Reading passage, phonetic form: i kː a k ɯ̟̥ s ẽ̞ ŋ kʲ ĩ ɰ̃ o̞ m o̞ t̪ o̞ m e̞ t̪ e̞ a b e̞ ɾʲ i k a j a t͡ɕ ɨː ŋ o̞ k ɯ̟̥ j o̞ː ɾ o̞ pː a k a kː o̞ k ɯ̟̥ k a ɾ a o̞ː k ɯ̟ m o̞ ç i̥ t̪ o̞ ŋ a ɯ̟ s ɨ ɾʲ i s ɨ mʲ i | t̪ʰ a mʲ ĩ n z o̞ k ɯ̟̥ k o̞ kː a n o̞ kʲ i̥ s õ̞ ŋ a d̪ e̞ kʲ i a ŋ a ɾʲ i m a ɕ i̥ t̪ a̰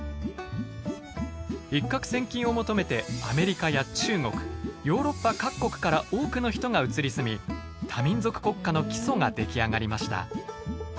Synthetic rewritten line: i kː a k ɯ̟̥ s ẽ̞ ŋ kʲ ĩ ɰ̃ o̞ m o̞ t̪ o̞ m e̞ t̪ e̞ a m e̞ ɾʲ i k a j a t͡ɕ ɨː ŋ o̞ k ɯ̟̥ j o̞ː ɾ o̞ pː a k a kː o̞ k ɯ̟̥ k a ɾ a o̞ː k ɯ̟ n o̞ ç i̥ t̪ o̞ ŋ a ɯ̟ t͡s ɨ ɾʲ i s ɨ mʲ i | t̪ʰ a mʲ ĩ n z o̞ k ɯ̟̥ k o̞ kː a n o̞ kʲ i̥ s o̞ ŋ a d̪ e̞ kʲ i a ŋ a ɾʲ i m a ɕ i̥ t̪ a̰